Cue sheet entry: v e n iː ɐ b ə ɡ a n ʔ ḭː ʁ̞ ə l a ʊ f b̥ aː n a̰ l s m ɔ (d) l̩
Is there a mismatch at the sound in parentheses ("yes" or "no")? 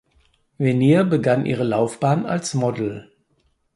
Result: no